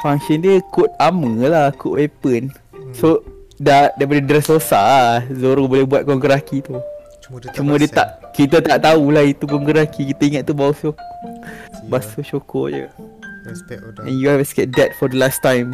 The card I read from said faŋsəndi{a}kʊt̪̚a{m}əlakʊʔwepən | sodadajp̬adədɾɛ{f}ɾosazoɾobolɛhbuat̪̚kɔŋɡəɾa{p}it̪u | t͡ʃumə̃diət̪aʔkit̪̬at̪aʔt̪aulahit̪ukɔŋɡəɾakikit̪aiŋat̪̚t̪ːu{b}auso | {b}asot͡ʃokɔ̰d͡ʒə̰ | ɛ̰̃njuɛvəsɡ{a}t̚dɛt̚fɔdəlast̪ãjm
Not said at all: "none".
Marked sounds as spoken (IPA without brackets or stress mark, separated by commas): ə, m, s, k, b, b, ɛ